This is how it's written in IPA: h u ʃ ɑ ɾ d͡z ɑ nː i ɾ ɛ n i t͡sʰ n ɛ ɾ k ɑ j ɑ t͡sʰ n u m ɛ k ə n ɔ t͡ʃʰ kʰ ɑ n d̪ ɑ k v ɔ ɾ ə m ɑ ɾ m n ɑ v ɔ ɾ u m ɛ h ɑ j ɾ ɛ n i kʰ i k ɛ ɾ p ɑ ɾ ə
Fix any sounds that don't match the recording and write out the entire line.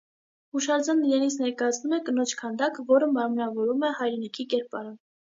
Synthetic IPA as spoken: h u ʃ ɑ ɾ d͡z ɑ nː i ɾ ɛ n i t͡sʰ n ɛ ɾ k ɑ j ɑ t͡sʰ n u m ɛ k ə n ɔ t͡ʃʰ kʰ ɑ n d̪ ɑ k v ɔ ɾ ə m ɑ ɾ m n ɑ v ɔ ɾ u m ɛ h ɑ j ɾ ɛ n i kʰ i k ɛ ɾ p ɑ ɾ ə